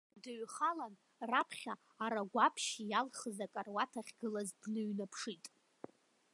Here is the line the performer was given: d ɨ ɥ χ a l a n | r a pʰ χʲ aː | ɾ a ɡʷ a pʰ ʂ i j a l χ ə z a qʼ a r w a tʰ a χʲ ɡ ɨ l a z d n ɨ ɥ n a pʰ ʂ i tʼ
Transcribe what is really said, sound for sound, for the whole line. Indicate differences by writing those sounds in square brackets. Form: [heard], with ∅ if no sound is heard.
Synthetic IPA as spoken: d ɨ ɥ χ a l a n | r a pʰ χʲ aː | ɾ a ɡʷ a pʰ [ʃ] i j a l χ ə z a [kʼ] a r w a tʰ a χʲ ɡ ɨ l a z d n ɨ ɥ n a pʰ ʂ i tʼ